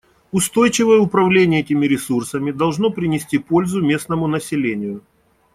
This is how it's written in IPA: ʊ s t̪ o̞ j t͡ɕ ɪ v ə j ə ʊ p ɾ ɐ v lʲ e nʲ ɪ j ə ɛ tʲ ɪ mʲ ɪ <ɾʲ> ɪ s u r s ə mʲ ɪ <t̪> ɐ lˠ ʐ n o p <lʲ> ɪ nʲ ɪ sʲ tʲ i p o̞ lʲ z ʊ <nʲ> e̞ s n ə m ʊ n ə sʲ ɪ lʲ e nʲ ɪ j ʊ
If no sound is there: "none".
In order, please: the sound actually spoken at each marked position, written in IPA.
ɾʲ, d̪, ɾʲ, mʲ

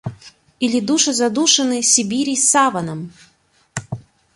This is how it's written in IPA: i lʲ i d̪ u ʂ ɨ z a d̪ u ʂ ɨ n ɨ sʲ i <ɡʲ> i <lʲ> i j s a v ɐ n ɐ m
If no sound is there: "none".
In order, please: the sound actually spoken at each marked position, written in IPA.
bʲ, ɾʲ

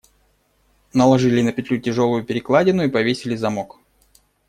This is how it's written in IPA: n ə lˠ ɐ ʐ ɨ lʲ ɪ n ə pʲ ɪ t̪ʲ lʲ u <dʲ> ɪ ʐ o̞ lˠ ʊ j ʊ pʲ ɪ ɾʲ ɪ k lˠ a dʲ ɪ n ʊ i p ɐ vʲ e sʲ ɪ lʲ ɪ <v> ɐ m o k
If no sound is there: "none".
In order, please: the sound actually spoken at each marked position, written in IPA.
tʲ, z

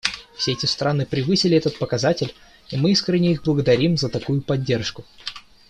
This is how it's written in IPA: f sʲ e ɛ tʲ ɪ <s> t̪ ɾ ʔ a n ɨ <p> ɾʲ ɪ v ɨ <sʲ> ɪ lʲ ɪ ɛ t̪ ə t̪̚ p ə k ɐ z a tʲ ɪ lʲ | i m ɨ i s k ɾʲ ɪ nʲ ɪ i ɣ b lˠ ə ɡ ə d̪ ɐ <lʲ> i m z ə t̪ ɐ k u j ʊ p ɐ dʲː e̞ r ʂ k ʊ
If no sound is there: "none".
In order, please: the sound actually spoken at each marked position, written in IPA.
s, p, sʲ, ɾʲ

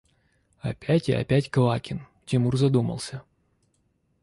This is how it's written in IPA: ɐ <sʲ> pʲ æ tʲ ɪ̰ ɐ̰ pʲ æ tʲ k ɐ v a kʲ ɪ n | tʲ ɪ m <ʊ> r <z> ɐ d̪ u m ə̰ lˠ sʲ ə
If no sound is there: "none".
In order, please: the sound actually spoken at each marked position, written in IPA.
none, u, z

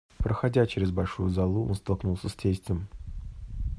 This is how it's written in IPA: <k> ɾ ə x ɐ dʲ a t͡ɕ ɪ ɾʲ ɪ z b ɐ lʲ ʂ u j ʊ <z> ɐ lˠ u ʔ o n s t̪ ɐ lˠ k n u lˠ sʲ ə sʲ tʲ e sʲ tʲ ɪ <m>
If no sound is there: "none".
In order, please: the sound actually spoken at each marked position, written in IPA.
p, z, m

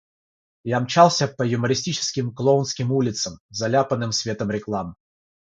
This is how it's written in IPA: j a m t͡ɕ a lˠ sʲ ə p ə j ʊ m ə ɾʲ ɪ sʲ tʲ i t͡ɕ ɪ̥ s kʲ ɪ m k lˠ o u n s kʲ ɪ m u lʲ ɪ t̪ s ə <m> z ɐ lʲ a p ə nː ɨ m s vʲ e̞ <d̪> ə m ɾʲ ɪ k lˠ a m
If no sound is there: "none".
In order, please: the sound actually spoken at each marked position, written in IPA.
m, t̪

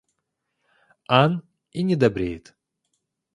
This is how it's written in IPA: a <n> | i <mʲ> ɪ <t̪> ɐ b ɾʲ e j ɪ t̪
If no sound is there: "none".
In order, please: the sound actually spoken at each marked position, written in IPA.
n, nʲ, d̪

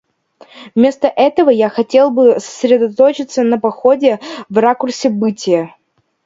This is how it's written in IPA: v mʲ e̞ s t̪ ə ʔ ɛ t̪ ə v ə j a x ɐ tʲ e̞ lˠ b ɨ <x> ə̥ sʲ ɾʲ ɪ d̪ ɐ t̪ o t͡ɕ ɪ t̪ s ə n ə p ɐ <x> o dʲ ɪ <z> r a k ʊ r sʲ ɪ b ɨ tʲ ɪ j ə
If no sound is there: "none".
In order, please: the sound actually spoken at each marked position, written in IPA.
s, x, v

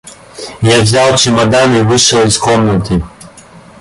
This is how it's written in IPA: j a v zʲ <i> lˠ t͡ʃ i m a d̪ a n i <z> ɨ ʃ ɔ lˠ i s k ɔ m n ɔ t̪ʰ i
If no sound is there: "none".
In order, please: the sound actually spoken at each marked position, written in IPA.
a, v

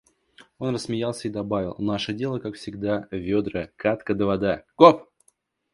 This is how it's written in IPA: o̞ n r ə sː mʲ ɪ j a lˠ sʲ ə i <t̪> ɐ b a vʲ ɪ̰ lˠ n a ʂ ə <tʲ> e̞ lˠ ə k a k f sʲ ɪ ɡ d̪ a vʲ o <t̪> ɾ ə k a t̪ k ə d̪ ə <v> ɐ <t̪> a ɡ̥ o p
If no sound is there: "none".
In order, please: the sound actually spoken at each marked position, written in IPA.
d̪, dʲ, d̪, v, d̪

